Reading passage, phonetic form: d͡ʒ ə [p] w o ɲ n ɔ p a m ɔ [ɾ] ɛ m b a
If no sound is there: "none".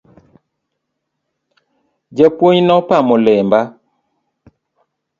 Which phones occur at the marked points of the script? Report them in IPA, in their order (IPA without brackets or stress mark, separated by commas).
p, l